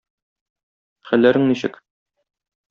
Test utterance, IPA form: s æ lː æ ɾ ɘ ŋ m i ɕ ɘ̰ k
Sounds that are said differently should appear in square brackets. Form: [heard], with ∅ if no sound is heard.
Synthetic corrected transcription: [χ] æ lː æ ɾ ɘ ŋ [n] i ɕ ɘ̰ k